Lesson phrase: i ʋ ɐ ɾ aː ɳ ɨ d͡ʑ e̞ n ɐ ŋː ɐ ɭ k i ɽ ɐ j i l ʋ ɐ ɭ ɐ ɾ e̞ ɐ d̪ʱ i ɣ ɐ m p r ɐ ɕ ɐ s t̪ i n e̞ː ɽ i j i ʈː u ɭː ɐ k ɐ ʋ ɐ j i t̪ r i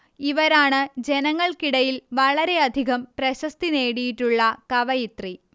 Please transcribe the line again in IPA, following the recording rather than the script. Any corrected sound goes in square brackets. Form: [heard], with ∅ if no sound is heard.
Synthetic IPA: i ʋ ɐ ɾ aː ɳ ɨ d͡ʑ e̞ n ɐ ŋː ɐ ɭ k i ɽ ɐ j i l ʋ ɐ ɭ ɐ ɾ e̞ ɐ d̪ʱ i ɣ ɐ m p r ɐ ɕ ɐ s t̪ i n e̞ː ɽ i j i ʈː u ɭː ɐ k ɐ ʋ ɐ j i t̪ r i